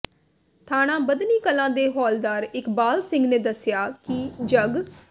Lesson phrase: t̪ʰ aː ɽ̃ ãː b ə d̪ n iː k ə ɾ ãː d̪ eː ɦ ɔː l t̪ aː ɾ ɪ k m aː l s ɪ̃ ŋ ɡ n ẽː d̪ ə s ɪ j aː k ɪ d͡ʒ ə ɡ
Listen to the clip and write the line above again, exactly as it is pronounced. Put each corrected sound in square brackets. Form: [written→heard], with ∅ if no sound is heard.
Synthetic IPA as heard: t̪ʰ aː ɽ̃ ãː b ə d̪ n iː k ə [ɾ→l] ãː d̪ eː ɦ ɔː l [t̪→d̪] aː ɾ ɪ k [m→b] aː l s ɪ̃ ŋ ɡ n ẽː d̪ ə s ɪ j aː k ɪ d͡ʒ ə ɡ